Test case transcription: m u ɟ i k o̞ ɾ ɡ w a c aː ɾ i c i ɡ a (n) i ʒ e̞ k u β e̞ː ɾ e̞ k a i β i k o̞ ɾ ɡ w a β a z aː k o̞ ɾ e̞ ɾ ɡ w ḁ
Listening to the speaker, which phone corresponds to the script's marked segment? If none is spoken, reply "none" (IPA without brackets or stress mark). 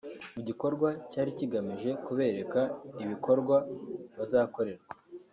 m